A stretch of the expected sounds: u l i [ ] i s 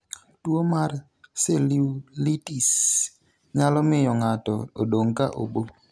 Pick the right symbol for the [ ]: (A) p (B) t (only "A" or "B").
B